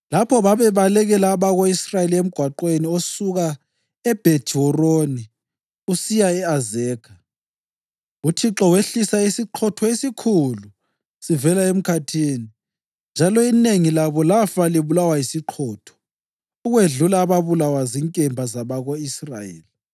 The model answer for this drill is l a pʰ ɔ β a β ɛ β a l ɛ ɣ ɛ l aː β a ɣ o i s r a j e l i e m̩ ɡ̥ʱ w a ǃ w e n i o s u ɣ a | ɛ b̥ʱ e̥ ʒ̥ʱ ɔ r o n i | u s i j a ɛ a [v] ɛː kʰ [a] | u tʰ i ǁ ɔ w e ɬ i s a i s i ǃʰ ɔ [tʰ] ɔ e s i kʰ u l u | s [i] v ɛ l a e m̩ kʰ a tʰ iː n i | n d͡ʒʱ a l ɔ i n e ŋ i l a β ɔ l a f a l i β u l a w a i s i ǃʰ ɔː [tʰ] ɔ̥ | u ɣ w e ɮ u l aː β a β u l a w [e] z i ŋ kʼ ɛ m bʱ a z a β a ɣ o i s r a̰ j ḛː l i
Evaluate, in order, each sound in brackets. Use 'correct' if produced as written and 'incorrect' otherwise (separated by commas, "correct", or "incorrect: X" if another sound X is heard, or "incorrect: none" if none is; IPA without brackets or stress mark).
incorrect: z, correct, correct, correct, correct, incorrect: a